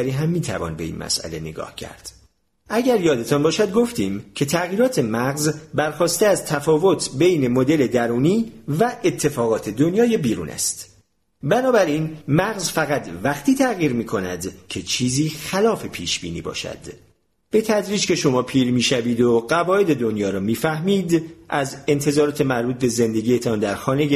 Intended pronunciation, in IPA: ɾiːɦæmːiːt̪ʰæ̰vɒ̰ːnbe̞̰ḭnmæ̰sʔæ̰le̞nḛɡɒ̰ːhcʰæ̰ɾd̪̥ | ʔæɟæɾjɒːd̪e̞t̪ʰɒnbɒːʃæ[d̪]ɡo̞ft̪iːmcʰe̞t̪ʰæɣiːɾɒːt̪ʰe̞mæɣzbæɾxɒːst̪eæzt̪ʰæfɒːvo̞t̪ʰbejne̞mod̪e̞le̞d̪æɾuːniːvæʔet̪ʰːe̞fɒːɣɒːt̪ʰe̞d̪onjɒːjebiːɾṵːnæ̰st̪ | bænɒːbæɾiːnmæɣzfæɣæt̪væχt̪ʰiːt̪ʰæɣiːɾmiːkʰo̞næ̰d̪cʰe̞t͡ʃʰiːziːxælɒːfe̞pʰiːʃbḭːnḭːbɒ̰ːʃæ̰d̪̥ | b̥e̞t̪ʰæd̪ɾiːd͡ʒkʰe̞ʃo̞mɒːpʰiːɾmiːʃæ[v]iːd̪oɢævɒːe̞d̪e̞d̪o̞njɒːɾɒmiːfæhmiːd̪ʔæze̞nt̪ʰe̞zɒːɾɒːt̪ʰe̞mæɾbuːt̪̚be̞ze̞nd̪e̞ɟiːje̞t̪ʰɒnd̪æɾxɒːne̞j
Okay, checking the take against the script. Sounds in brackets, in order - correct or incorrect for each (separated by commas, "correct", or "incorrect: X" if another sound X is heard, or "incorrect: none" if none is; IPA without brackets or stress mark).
correct, correct